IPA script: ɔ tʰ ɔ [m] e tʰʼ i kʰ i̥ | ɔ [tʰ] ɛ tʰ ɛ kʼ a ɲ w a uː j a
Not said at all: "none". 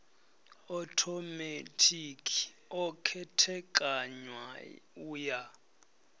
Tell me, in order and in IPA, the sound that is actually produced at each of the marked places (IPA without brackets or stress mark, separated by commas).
m, kʰ